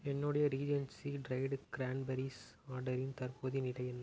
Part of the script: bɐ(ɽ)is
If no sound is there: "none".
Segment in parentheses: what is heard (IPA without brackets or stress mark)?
ɾ